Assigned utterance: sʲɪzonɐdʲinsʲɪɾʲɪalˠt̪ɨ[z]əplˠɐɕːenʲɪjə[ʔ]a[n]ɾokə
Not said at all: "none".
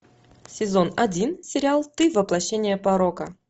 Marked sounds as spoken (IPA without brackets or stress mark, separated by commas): v, p, none